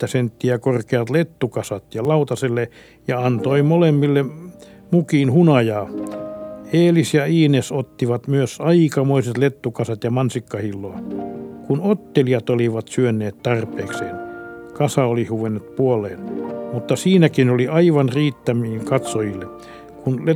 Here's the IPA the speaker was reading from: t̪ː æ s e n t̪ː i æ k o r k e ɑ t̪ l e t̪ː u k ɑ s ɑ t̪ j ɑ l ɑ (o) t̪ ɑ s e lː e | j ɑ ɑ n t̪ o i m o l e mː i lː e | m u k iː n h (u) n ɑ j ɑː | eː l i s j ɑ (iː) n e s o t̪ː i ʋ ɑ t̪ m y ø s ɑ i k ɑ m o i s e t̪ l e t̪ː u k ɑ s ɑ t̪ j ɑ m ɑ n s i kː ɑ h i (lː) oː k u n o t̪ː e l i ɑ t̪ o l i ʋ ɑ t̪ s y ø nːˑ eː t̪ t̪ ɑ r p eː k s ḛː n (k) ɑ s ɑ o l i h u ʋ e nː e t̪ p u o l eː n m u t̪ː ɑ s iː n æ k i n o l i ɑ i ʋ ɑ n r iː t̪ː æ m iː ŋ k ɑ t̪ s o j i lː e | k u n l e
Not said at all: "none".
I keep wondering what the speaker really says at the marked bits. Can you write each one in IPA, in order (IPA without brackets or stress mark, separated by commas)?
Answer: u, u, iː, lː, k